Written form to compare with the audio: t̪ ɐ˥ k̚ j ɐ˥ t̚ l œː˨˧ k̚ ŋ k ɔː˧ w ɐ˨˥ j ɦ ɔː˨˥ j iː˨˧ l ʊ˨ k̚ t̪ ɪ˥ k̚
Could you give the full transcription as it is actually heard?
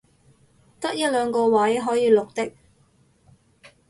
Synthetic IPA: t̪ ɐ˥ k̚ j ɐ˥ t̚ l œː˨˧ ŋ k ɔː˧ w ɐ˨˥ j ɦ ɔː˨˥ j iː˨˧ l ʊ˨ k̚ t̪ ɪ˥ k̚